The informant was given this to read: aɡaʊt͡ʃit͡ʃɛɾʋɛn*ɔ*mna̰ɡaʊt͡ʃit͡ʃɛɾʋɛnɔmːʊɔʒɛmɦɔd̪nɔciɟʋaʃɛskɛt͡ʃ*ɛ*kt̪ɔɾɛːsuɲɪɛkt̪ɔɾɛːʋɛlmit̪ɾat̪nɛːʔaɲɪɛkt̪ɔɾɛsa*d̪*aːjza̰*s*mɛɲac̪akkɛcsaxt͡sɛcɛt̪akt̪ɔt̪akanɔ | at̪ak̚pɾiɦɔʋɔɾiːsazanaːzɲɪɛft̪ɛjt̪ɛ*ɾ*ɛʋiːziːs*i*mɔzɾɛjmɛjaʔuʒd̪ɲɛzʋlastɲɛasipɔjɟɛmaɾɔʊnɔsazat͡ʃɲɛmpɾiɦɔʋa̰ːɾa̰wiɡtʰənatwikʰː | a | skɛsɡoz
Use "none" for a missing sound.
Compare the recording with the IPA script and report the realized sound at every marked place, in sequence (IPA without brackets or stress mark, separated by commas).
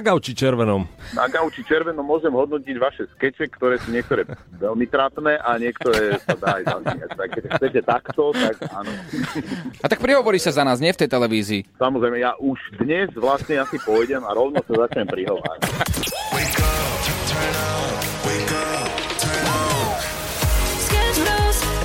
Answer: ɔ, ɛ, d̪, z, l, a